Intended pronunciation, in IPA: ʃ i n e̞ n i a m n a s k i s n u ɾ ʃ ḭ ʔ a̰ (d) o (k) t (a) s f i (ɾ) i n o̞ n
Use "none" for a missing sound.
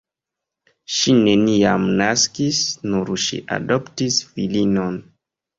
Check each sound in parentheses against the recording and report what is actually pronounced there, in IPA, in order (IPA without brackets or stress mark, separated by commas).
d, p, i, l